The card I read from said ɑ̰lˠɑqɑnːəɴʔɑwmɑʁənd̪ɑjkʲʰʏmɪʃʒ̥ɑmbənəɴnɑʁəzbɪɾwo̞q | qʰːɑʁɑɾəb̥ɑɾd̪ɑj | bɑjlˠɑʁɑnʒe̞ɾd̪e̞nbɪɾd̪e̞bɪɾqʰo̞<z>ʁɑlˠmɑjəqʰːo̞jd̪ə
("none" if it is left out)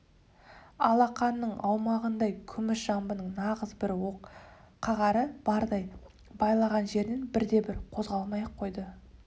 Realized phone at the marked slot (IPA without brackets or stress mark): z